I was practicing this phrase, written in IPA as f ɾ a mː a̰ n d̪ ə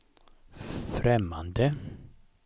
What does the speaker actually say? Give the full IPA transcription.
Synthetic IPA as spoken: f ɾ ɛ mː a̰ n d̪ ə